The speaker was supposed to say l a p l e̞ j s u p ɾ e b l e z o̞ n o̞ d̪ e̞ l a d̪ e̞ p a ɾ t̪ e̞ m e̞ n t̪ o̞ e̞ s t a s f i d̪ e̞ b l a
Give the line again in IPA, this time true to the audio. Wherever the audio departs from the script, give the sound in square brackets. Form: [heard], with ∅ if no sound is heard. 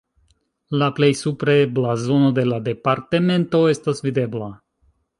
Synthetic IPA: l a p l e̞ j s u p ɾ e b l [a] z o̞ n o̞ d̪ e̞ l a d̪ e̞ p a ɾ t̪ e̞ m e̞ n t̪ o̞ e̞ s t a s [v] i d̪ e̞ b l a